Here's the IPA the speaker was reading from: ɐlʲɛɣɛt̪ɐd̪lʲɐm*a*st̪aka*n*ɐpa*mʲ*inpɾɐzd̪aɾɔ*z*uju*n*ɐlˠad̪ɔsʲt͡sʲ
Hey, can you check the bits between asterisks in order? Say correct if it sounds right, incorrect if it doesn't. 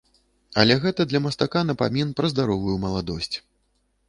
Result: incorrect, correct, correct, incorrect, incorrect

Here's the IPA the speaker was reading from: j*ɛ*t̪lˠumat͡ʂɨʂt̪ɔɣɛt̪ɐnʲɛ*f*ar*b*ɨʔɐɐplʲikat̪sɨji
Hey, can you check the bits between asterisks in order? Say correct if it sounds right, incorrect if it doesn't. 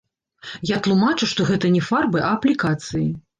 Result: incorrect, correct, correct

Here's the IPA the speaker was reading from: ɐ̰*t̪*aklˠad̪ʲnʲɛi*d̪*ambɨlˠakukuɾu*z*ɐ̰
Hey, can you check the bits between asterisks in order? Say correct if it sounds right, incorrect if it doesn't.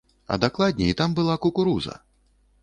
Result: incorrect, incorrect, correct

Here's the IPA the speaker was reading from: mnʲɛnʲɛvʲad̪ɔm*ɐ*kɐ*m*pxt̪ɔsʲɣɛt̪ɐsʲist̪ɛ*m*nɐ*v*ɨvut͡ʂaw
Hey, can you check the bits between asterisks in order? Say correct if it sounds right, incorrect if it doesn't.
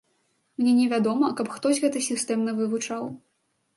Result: correct, incorrect, correct, correct

